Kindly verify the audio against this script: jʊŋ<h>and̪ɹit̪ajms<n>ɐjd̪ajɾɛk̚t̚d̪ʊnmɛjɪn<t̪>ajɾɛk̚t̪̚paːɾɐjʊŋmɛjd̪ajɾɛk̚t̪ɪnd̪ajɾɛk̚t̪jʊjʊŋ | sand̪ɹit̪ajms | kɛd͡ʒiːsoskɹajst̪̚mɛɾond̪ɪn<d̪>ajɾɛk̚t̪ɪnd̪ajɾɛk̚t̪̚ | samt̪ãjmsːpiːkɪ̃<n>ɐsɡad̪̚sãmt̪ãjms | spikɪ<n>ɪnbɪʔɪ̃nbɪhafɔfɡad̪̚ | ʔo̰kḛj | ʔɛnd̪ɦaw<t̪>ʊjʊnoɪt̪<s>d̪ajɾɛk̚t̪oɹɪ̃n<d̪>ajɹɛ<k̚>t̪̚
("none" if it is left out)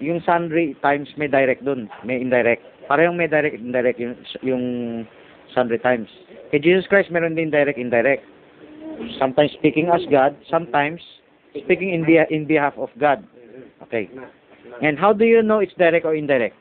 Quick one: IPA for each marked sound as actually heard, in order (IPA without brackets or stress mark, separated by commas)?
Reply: s, m, d̪, d̪, ŋ, ŋ, d̪, s, d̪, k̚